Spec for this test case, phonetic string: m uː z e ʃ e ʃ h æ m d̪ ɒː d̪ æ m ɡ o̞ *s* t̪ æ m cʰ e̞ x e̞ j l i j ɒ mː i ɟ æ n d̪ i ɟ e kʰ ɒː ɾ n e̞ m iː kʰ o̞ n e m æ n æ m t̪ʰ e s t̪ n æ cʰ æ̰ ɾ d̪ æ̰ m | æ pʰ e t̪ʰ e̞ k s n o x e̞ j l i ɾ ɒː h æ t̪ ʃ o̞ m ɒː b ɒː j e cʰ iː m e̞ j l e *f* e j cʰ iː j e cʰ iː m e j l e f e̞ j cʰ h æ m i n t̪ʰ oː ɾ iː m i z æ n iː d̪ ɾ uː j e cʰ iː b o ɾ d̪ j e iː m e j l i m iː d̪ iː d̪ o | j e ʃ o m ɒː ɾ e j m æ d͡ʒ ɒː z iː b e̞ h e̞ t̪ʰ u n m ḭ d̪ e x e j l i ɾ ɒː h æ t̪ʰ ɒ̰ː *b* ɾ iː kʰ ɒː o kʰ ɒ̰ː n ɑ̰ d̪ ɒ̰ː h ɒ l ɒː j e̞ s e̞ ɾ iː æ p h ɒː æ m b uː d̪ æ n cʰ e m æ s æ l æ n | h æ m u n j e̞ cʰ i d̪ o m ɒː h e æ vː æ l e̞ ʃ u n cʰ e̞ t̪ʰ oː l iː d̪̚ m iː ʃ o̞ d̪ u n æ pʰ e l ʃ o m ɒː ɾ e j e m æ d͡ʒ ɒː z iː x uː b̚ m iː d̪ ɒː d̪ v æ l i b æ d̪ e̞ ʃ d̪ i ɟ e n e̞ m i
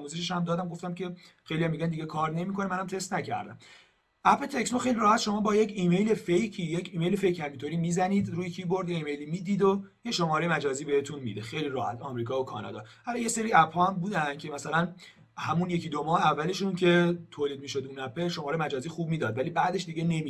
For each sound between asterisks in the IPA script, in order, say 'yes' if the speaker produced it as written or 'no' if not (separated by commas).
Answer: no, yes, no